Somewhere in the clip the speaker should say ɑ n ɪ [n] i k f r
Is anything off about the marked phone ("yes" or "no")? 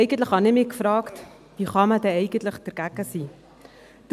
yes